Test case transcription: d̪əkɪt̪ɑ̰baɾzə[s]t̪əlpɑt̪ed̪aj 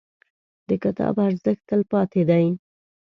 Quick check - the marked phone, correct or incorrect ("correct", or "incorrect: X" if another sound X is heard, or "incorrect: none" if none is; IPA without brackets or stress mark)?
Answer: incorrect: x